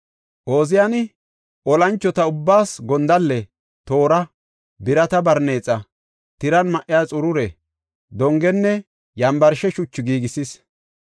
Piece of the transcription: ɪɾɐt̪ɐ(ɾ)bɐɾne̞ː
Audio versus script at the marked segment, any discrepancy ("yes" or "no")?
yes